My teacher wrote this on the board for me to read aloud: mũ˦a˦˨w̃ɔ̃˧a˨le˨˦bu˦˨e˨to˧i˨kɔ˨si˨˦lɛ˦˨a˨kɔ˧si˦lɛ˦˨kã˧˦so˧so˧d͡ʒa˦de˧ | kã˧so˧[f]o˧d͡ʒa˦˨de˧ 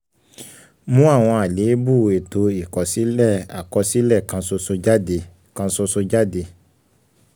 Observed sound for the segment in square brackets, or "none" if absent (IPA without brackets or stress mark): s